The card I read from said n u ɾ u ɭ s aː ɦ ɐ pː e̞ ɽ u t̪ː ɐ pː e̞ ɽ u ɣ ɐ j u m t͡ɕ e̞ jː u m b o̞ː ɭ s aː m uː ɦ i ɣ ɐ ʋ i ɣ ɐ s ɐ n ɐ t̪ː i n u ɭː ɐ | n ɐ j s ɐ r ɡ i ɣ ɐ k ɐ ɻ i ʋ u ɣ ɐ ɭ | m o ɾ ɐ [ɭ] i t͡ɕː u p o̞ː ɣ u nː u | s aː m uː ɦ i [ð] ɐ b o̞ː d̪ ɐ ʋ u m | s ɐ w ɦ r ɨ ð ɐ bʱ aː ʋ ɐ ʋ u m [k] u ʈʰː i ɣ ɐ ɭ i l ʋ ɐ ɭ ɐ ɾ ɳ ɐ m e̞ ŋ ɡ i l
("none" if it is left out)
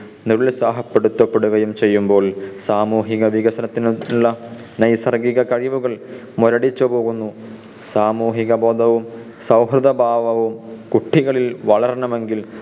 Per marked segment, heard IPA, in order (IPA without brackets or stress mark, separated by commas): ɽ, ɣ, k